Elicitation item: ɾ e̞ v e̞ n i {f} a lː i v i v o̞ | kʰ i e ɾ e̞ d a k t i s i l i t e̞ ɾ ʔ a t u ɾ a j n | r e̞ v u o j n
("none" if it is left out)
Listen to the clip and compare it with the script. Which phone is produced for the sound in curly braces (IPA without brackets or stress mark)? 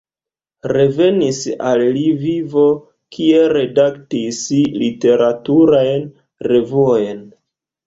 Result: s